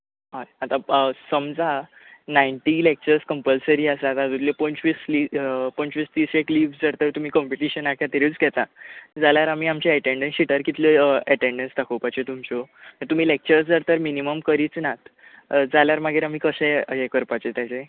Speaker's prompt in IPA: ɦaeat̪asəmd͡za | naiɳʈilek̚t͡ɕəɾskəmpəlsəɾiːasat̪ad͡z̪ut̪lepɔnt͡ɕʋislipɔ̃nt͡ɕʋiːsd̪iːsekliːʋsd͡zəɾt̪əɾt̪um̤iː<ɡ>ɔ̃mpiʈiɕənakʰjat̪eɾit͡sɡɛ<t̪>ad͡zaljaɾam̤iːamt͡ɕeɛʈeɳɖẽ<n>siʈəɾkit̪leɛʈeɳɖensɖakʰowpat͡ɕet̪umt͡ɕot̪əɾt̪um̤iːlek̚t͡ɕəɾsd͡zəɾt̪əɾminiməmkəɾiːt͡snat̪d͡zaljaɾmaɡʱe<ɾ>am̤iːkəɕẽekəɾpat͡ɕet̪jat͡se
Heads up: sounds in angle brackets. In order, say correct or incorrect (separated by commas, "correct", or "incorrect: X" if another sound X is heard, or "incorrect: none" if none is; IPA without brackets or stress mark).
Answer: incorrect: k, correct, correct, correct